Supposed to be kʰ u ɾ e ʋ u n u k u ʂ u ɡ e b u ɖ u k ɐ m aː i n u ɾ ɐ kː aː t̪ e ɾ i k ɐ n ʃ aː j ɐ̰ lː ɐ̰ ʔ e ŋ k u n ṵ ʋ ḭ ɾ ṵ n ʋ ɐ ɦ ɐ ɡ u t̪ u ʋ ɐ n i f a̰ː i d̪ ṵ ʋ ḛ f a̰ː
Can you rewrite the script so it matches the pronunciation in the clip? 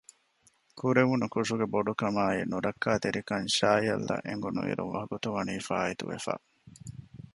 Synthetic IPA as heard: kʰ u ɾ e ʋ u n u k u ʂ u ɡ e b o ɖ u k ɐ m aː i n u ɾ ɐ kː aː t̪ e ɾ i k ɐ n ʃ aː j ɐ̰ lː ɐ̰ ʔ e ŋ ɡ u n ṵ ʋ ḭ ɾ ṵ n ʋ ɐ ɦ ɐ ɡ u t̪ u ʋ ɐ n iː f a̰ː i t̪ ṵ ʋ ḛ f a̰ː